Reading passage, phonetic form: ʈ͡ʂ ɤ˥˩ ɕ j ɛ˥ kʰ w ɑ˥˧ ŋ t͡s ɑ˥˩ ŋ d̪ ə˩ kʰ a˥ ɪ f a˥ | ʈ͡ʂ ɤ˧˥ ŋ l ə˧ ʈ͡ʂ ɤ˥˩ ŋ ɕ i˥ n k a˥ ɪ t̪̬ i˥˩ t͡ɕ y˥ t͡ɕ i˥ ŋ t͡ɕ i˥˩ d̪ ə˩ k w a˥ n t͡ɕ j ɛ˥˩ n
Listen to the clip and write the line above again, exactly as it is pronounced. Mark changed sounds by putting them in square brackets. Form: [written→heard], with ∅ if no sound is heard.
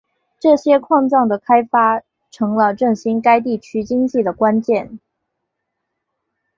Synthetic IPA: ʈ͡ʂ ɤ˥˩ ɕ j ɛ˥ kʰ w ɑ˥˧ ŋ t͡s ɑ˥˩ ŋ d̪ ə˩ kʰ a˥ ɪ f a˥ | [ʈ͡ʂ→ʈ͡ʂʰ] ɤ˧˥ ŋ l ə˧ ʈ͡ʂ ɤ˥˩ ŋ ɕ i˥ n k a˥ ɪ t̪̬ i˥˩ [t͡ɕ→t͡ɕʰ] y˥ t͡ɕ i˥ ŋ t͡ɕ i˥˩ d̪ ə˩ k w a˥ n t͡ɕ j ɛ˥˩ n